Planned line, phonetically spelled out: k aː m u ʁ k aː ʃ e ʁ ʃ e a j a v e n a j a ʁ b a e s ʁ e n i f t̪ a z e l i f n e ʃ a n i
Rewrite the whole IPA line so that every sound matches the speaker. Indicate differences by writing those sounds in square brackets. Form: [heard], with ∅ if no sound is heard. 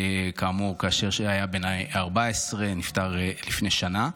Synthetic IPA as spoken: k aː m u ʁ k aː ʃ e ʁ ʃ e a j a [b] e n a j a ʁ b a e s ʁ e n i f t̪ a [ʁ] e l i f n e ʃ a n [a]